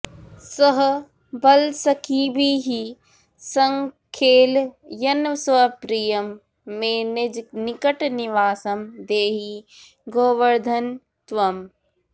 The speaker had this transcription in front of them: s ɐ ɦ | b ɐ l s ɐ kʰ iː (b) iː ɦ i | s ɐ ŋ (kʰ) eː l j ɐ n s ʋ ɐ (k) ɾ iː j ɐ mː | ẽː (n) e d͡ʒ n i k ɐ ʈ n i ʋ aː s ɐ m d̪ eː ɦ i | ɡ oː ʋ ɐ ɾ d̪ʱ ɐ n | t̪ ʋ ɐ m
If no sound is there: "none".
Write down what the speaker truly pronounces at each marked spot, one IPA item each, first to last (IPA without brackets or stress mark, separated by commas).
b, kʰ, p, n